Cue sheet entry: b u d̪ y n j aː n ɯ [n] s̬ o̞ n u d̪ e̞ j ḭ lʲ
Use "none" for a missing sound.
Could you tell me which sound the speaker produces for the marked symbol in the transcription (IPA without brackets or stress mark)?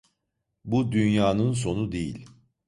n